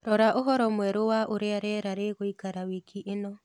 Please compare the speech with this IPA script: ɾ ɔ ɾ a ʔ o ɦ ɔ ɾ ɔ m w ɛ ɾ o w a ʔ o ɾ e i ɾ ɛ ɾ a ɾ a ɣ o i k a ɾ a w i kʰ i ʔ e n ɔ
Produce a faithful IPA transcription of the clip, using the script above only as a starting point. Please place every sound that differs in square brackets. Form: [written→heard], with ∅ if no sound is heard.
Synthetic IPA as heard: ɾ ɔ ɾ a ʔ o ɦ ɔ ɾ ɔ m w ɛ ɾ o w a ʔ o ɾ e [i→a] ɾ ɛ ɾ a ɾ [a→e] ɣ o i k a ɾ a w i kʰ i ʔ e n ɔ